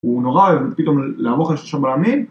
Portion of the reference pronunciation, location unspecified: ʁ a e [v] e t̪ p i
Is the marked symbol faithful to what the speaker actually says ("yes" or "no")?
yes